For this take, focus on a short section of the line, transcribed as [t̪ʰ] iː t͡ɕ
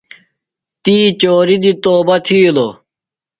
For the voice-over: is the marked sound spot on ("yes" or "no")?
no